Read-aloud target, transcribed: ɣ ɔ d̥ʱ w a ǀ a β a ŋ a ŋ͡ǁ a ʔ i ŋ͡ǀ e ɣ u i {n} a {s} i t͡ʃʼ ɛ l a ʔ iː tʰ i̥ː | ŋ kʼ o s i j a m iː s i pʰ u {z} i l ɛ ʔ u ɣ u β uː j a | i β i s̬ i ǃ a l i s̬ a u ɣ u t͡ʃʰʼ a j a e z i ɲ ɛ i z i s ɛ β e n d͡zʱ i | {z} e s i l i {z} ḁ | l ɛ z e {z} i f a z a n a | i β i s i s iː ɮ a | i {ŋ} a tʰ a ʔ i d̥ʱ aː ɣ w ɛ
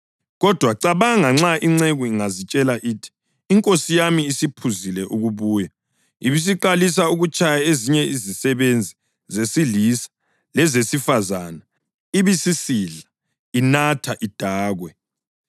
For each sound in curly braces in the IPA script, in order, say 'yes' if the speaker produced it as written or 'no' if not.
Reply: no, no, yes, yes, no, no, no

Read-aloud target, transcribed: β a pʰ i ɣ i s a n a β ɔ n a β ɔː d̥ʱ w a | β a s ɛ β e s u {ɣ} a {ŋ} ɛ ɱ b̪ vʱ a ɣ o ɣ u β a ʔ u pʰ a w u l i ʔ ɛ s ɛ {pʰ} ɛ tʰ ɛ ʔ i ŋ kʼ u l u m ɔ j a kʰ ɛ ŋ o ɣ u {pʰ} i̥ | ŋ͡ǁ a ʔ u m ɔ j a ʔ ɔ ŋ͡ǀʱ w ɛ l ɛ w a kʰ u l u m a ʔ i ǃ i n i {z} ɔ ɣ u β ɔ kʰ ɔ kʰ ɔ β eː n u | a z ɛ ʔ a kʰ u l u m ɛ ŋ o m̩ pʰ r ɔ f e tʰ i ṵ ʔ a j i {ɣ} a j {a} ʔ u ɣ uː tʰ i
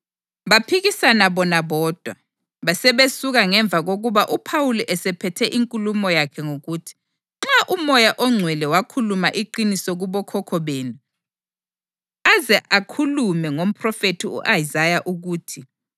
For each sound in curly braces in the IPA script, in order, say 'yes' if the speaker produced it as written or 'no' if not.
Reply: yes, yes, yes, no, no, no, yes

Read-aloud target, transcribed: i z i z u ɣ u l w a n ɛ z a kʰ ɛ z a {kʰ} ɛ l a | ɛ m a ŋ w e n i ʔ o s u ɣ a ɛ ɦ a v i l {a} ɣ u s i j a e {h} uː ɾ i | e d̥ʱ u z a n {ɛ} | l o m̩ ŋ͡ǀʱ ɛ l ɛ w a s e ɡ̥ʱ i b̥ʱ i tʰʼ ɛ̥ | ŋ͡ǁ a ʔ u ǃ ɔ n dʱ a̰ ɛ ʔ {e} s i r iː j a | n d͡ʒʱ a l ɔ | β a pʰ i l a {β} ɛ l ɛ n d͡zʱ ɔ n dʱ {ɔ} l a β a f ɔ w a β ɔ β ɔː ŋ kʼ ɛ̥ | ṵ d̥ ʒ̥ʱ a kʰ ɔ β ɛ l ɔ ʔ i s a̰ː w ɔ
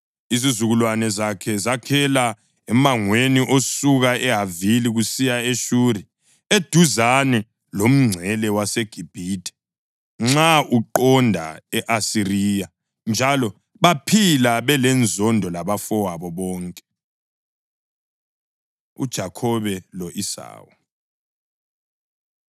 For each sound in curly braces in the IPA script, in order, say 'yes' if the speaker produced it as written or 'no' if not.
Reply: yes, no, no, yes, no, yes, yes

